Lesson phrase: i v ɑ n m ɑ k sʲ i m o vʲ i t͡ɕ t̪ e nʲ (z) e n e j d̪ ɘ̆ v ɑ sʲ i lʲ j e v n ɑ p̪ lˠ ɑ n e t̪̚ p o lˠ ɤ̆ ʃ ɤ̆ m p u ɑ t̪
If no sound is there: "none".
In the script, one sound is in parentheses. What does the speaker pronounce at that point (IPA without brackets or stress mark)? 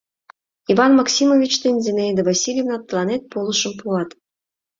z